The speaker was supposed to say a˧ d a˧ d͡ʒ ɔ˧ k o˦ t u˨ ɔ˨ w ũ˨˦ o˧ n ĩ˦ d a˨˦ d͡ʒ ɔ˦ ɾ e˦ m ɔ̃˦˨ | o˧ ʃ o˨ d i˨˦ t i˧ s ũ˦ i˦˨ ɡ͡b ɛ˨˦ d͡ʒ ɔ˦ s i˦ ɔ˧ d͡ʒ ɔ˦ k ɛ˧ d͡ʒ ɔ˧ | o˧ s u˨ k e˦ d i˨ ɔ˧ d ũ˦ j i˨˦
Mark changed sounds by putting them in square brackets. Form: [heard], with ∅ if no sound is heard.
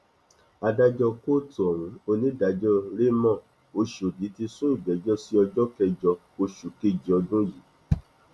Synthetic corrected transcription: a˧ d a˧ d͡ʒ ɔ˧ k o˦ t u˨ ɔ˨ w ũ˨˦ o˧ n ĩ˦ d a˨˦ d͡ʒ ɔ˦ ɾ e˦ m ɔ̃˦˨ | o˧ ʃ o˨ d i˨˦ t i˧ s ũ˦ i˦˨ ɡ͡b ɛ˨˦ d͡ʒ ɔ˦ s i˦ ɔ˧ d͡ʒ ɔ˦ k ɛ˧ d͡ʒ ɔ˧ | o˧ [ʃ] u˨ k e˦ [d͡ʒ] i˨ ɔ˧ d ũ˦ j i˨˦